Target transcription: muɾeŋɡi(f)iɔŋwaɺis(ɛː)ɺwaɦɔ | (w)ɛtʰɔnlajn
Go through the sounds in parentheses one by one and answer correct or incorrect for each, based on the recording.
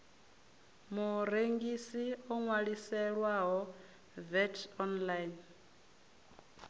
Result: incorrect: s, incorrect: ɛ, incorrect: v

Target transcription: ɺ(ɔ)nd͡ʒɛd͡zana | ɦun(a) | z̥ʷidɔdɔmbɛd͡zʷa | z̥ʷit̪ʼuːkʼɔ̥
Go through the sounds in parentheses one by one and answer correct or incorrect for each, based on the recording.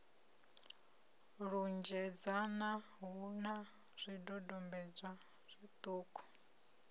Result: incorrect: u, correct

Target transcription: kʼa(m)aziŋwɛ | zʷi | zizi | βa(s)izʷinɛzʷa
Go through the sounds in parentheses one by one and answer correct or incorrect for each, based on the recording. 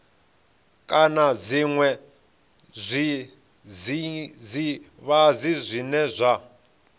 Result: incorrect: n, incorrect: z

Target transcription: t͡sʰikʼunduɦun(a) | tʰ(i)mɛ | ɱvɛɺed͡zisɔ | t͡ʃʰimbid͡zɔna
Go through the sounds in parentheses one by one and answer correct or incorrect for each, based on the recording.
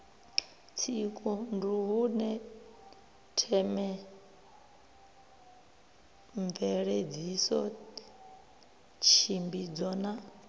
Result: incorrect: ɛ, incorrect: ɛ

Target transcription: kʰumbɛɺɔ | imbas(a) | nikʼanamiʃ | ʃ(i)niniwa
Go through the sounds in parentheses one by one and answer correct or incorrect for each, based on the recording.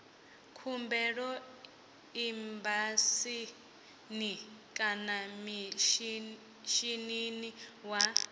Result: incorrect: i, correct

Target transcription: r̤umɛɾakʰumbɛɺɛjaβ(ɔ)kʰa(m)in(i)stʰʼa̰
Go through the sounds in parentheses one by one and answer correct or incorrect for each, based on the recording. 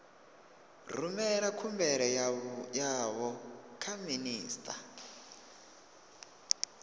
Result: correct, correct, incorrect: iː

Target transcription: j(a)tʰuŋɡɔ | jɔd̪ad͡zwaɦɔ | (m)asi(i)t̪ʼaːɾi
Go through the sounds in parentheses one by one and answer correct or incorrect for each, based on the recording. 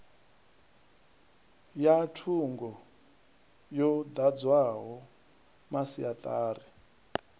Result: correct, correct, incorrect: a

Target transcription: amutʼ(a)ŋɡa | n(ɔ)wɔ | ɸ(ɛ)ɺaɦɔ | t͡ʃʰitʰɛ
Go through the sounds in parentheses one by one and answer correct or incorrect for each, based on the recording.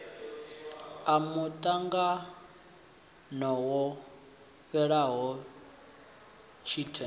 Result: correct, correct, correct

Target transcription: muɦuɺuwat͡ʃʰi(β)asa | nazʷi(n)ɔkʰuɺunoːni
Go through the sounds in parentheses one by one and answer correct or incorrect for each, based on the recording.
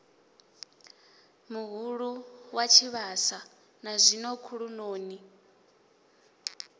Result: correct, correct

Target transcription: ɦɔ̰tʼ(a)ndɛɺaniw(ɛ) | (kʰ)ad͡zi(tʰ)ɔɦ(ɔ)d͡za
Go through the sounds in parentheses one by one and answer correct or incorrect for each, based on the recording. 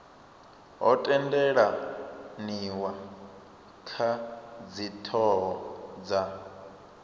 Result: incorrect: ɛ, incorrect: a, correct, correct, correct

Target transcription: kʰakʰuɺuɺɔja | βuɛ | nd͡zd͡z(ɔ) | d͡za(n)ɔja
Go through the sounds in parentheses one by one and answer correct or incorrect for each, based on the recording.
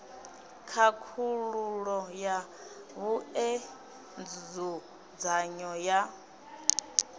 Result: incorrect: u, incorrect: ɲ

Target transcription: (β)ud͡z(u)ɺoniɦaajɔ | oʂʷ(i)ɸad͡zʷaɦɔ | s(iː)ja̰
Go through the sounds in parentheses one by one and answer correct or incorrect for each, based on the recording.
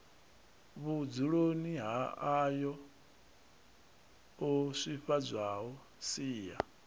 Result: correct, correct, correct, correct

